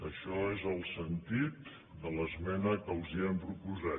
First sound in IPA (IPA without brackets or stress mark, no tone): ə